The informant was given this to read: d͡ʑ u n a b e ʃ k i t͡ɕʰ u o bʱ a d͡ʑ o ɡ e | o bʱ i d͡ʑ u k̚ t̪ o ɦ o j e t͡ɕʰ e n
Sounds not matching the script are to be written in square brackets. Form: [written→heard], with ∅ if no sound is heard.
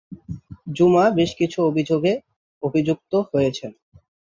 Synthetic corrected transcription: d͡ʑ u [n→m] a b e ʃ k i t͡ɕʰ u o bʱ [a→i] d͡ʑ o ɡ e | o bʱ i d͡ʑ u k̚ t̪ o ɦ o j e t͡ɕʰ e n

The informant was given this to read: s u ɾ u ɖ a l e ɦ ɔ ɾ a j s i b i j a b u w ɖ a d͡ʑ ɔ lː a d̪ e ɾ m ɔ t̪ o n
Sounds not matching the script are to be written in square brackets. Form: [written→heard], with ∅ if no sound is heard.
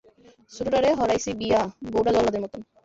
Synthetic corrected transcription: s u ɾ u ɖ a [l→ɾ] e ɦ ɔ ɾ a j s i b i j a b [u→o] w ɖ a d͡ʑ ɔ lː a d̪ e ɾ m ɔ t̪ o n

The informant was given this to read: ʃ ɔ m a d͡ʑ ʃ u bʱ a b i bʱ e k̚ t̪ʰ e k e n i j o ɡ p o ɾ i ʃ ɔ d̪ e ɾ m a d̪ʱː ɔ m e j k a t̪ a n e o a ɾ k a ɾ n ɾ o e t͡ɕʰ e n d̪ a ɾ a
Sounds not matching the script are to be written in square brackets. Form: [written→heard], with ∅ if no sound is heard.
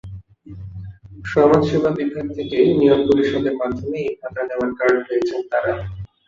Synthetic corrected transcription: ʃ ɔ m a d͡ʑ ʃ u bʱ a b i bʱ [e→a] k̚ t̪ʰ e k e n i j o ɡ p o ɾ i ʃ ɔ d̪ e ɾ m a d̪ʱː [ɔ→o] m e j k a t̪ a n e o a ɾ k a ɾ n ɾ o e t͡ɕʰ e n [d̪→t̪] a ɾ a

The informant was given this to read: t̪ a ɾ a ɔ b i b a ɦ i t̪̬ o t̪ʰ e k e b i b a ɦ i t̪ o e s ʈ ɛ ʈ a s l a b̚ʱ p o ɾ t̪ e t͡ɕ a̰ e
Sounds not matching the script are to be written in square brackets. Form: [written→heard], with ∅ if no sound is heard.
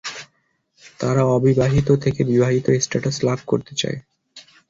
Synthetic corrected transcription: t̪ a ɾ a ɔ b i b a ɦ i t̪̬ o t̪ʰ e k e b i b a ɦ i t̪ o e s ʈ [ɛ→a] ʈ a s l a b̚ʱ [p→k] o ɾ t̪ e t͡ɕ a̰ e

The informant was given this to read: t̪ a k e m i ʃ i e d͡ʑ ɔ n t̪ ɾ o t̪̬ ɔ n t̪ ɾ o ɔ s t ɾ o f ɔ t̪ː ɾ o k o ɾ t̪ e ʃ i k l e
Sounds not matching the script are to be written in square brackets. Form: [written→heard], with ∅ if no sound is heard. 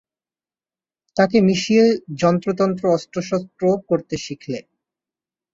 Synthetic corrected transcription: t̪ a k e m i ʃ i e d͡ʑ ɔ n t̪ ɾ o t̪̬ ɔ n t̪ ɾ o ɔ s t ɾ o [f→ʃ] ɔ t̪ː ɾ o k o ɾ t̪ e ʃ i [k→kʰ] l e

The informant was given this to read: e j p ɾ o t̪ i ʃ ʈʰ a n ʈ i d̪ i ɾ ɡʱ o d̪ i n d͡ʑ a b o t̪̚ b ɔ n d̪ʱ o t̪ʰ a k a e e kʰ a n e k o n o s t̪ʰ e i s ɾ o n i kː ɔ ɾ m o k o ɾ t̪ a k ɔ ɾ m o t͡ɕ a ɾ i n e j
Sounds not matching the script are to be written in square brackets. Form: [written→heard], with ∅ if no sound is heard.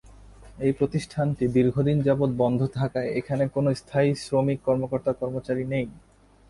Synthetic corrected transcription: e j p ɾ o t̪ i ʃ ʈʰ a n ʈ i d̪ i ɾ ɡʱ o d̪ i n d͡ʑ a b o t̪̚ b ɔ n d̪ʱ o t̪ʰ a k a e e kʰ a n e k o n o s t̪ʰ [e→a] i s ɾ o [n→m] i kː ɔ ɾ m o k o ɾ t̪ a k ɔ ɾ m o t͡ɕ a ɾ i n e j

